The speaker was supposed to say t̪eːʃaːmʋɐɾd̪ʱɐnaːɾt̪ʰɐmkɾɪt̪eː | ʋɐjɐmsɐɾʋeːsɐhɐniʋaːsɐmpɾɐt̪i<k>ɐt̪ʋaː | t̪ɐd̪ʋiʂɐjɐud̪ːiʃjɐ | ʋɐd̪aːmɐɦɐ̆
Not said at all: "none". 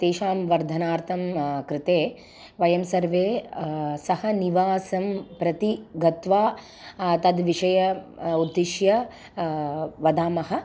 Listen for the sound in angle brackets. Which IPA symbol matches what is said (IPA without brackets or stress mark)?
ɡ